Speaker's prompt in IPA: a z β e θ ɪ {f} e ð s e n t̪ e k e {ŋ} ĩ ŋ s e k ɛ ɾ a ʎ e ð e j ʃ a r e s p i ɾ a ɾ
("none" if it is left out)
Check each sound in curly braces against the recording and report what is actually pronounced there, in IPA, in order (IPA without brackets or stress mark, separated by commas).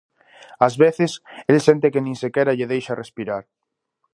s, n